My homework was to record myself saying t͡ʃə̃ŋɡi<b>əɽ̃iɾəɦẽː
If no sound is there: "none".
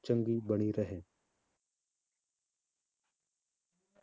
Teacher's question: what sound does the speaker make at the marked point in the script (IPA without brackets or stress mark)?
b